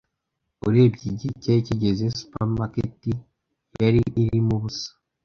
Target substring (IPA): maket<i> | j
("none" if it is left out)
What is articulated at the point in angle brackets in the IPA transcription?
i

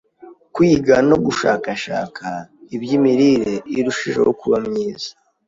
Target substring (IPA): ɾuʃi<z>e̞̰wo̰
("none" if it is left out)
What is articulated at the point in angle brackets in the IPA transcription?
ʒ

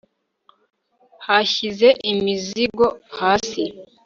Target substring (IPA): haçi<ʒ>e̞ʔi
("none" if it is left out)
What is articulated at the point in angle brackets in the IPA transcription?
z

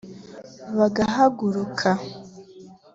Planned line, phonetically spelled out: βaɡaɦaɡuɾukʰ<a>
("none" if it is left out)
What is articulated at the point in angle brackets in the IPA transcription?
a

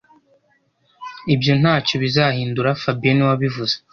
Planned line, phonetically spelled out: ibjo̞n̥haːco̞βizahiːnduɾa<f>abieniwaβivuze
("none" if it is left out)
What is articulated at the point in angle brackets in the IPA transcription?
f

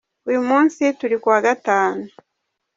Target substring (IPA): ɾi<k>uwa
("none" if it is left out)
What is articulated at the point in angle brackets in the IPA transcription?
k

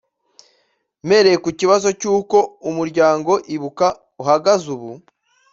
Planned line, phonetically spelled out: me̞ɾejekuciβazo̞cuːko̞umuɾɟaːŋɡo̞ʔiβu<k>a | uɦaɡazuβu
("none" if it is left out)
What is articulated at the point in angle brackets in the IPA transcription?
k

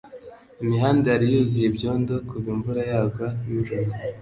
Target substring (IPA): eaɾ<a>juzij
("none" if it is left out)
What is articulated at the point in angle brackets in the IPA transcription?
i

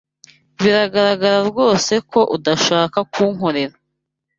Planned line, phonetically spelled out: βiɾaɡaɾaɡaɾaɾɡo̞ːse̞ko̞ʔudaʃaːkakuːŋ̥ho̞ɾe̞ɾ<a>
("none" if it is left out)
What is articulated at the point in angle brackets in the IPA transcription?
a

